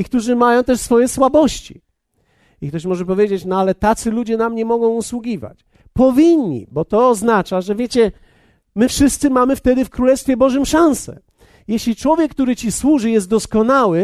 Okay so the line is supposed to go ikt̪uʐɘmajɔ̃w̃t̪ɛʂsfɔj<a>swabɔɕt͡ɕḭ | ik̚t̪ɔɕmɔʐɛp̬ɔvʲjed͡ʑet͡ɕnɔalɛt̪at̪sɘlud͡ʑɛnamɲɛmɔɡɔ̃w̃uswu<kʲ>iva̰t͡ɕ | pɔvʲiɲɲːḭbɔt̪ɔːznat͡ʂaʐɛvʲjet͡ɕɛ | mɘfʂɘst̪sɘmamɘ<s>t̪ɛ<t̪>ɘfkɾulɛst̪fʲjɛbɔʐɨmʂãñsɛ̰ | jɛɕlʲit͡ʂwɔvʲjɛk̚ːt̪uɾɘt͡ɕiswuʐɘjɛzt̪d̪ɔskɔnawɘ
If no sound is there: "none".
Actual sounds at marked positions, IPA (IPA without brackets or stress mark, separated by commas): ɛ, ɡʲ, f, d̪